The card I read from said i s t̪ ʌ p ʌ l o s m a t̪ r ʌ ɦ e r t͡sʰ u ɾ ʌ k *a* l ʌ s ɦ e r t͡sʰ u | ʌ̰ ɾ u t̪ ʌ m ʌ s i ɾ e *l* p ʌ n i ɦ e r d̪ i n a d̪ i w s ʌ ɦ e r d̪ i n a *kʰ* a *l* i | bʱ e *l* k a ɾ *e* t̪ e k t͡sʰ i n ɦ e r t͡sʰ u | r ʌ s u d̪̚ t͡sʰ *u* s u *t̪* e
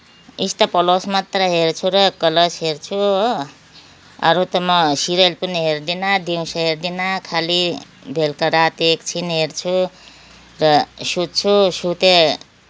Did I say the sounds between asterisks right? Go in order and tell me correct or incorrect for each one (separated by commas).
incorrect, correct, correct, correct, correct, incorrect, correct, correct